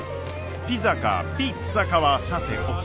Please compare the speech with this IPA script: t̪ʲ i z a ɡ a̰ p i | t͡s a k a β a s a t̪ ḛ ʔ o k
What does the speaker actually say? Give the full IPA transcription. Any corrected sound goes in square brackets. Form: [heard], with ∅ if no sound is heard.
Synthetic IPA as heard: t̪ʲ i z a [k] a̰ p i | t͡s a k a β a s a t̪ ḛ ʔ o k